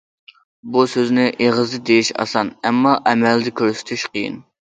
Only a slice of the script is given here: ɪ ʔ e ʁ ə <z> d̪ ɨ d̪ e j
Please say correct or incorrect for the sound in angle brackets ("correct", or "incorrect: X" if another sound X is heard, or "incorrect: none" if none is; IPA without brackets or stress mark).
correct